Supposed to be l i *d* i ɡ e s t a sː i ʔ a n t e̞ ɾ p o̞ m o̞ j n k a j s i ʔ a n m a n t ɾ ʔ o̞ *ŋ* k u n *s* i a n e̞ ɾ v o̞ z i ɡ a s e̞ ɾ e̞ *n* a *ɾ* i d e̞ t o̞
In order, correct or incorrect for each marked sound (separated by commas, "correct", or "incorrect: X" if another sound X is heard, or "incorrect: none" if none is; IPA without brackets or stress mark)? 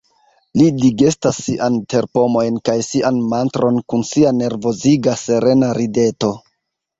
correct, incorrect: n, correct, correct, correct